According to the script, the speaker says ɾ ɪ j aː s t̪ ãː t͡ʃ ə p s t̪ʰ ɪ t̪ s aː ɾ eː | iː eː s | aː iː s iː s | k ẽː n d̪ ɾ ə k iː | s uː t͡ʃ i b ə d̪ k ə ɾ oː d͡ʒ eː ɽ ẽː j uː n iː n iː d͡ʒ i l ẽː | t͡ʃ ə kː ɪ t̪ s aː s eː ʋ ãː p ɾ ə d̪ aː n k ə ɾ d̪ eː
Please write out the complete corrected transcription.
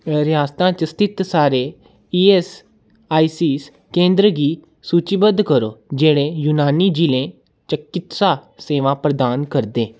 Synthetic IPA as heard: ɾ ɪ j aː s t̪ ãː t͡ʃ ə s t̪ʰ ɪ t̪ s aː ɾ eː | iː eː s | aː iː s iː s | k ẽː n d̪ ɾ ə ɡ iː | s uː t͡ʃ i b ə d̪ k ə ɾ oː d͡ʒ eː ɽ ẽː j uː n aː n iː d͡ʒ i l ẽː | t͡ʃ ə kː ɪ t̪ s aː s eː ʋ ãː p ɾ ə d̪ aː n k ə ɾ d̪ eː

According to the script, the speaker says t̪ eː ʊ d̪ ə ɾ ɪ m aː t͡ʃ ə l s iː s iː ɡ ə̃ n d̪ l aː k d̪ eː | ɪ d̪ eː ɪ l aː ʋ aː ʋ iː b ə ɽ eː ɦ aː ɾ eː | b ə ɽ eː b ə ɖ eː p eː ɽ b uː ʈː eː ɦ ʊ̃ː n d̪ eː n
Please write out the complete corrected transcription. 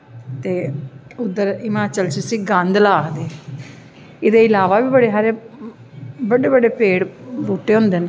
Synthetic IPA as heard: t̪ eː ʊ d̪ ə ɾ ɪ m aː t͡ʃ ə l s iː s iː ɡ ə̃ n d̪ l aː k d̪ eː | ɪ d̪ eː ɪ l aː ʋ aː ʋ iː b ə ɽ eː ɦ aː ɾ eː | b ə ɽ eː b ə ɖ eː p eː ɽ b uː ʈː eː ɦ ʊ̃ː n d̪ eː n

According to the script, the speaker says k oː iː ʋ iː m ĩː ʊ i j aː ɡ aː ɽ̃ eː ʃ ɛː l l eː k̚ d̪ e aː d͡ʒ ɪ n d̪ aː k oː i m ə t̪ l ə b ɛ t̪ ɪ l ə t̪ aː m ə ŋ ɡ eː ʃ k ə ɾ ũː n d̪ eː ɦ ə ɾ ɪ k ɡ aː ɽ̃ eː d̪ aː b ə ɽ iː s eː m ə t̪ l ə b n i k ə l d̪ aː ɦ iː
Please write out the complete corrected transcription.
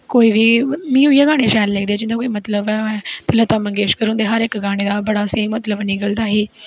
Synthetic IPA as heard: k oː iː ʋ iː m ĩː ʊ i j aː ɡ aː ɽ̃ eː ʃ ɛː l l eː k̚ d̪ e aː d͡ʒ ɪ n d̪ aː k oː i m ə t̪ l ə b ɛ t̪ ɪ l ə t̪ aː m ə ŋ ɡ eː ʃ k ə ɾ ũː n d̪ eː ɦ ə ɾ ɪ k ɡ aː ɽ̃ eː d̪ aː b ə ɽ aː s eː m ə t̪ l ə b n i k ə l d̪ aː ɦ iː

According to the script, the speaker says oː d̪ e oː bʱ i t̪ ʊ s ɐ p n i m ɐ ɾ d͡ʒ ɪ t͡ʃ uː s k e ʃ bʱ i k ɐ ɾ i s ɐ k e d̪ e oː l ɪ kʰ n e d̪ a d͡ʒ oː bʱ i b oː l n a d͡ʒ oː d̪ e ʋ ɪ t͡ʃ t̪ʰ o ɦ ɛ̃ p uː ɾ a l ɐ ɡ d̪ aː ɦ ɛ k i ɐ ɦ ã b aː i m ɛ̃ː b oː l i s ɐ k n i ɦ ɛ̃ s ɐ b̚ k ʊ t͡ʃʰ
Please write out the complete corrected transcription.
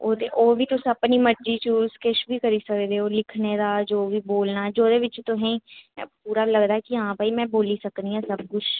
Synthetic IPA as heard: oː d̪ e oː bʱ i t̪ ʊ s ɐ p n i m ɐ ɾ d͡ʒ i t͡ʃ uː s k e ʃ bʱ i k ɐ ɾ i s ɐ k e d̪ e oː l ɪ kʰ n e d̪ a d͡ʒ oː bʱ i b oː l n a d͡ʒ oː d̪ e ʋ ɪ t͡ʃ t̪ o ɦ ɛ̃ p uː ɾ a l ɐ ɡ d̪ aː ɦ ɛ k i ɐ ɦ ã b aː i m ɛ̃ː b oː l i s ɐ k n i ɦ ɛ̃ s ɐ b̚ k ʊ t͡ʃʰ

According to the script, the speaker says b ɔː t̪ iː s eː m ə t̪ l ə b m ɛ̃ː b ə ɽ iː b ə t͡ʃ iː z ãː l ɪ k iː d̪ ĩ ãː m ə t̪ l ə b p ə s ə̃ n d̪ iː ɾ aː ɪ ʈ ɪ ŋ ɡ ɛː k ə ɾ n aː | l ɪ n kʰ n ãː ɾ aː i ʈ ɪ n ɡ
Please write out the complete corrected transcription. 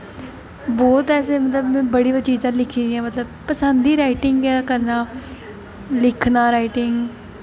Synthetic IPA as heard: b ɔː t̪ ɛː s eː m ə t̪ l ə b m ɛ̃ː b ə ɽ iː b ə t͡ʃ iː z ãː l ɪ kʰ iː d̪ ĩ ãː m ə t̪ l ə b p ə s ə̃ n d̪ iː ɾ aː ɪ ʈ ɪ ŋ ɡ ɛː k ə ɾ n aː | l ɪ kʰ n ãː ɾ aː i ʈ ɪ ŋ ɡ

